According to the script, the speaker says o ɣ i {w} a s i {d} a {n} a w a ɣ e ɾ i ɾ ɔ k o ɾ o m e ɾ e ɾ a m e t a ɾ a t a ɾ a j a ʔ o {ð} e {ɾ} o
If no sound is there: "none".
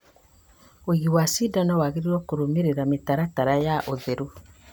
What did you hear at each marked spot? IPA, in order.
w, d, n, ð, ɾ

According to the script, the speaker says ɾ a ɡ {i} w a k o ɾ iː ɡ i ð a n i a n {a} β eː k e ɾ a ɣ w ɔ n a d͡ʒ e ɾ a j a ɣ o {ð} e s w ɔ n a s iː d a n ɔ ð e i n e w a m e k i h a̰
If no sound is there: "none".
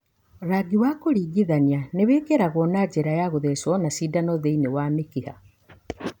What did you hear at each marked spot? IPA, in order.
i, e, ð

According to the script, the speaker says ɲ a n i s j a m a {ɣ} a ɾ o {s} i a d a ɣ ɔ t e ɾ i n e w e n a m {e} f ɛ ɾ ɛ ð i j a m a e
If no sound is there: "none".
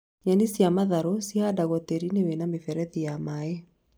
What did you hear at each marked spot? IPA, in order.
ð, s, e

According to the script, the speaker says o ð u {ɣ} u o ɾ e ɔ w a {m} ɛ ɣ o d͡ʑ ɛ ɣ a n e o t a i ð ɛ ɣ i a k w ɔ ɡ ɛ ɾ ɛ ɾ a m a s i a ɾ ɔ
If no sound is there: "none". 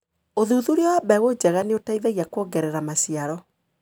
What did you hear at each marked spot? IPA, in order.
ð, b

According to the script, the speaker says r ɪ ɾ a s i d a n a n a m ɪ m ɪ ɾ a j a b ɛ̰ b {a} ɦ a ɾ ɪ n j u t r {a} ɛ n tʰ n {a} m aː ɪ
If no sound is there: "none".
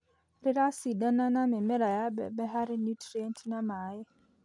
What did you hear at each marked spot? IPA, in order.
ɛ, i, a

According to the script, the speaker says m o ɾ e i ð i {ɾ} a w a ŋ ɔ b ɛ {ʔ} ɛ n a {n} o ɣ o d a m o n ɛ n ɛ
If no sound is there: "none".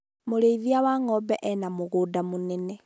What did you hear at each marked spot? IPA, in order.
none, ʔ, m

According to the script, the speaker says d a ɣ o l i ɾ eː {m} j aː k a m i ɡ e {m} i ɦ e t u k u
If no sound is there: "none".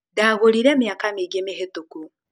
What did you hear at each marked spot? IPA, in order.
m, m

